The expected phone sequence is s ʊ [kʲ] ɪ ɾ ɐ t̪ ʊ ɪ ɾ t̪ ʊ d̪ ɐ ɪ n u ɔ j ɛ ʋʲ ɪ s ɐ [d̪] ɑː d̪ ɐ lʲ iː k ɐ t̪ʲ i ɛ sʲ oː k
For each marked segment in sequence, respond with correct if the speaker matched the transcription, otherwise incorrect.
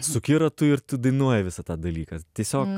correct, incorrect: t̪

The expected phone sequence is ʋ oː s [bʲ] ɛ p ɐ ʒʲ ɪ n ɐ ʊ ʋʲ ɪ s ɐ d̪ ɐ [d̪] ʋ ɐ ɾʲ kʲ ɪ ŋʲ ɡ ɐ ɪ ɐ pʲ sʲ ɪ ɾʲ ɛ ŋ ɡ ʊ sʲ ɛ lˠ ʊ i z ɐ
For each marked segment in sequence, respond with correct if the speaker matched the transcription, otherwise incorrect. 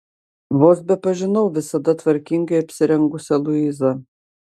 correct, incorrect: t̪

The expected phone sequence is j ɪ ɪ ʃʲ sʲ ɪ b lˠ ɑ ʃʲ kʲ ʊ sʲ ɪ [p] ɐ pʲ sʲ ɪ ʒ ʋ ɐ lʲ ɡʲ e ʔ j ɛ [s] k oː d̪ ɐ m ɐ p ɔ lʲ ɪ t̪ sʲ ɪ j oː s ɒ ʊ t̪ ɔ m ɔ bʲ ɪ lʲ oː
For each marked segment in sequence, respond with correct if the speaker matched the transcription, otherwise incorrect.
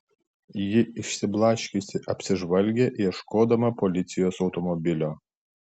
incorrect: ʔ, incorrect: ʃ

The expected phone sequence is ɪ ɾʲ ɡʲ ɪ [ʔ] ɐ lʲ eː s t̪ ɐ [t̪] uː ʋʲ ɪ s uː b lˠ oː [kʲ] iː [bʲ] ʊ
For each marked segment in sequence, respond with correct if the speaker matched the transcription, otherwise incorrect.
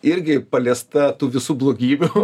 incorrect: p, correct, incorrect: ɡʲ, correct

